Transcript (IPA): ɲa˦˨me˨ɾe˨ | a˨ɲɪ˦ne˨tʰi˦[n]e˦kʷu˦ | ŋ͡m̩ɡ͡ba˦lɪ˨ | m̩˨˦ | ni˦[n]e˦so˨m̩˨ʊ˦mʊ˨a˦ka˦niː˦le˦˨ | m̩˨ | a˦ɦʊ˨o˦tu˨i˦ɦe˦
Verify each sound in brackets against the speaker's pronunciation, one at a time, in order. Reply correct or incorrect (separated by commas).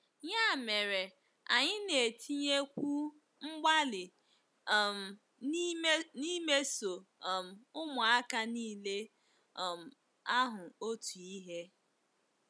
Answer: incorrect, incorrect